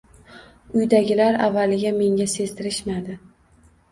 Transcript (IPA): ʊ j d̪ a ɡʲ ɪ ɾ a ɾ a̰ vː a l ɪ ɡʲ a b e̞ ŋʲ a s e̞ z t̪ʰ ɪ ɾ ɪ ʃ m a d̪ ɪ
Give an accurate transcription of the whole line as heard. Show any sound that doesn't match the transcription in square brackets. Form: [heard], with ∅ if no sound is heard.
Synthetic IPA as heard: ʊ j d̪ a ɡʲ ɪ [l] a ɾ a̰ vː a l ɪ ɡʲ a [m] e̞ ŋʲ a s e̞ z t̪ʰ ɪ ɾ ɪ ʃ m a d̪ ɪ